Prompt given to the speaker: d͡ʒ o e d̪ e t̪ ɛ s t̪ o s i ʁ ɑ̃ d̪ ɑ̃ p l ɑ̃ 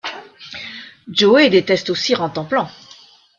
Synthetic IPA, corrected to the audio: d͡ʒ o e d̪ e t̪ ɛ s t̪ o s i ʁ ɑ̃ t̪ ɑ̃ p l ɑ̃